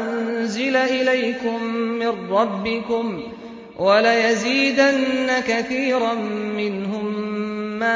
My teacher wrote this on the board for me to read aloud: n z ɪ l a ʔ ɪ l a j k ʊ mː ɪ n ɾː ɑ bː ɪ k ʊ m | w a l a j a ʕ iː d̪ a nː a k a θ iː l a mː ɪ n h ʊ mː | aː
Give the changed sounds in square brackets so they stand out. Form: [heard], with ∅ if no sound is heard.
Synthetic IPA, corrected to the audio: n z ɪ l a ʔ ɪ l a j k ʊ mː ɪ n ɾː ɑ bː ɪ k ʊ m | w a l a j a [z] iː d̪ a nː a k a θ iː [ɾ] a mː ɪ n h ʊ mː | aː